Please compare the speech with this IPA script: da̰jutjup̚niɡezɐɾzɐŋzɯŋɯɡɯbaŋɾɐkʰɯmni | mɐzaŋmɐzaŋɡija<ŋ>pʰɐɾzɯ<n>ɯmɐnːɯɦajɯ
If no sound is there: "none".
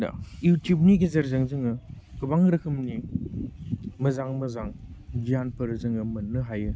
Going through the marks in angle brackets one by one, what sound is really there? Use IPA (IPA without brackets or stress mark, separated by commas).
n, ŋ